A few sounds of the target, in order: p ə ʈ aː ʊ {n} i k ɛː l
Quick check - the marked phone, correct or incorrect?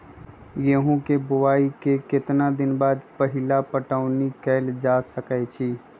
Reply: correct